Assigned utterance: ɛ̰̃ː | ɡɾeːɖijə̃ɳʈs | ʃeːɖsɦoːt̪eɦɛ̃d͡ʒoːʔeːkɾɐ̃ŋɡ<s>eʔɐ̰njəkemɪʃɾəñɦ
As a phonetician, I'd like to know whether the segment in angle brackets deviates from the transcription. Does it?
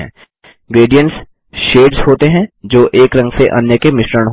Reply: no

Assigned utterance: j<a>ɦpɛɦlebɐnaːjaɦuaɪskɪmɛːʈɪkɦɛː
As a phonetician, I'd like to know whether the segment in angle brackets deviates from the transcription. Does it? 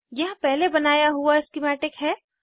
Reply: yes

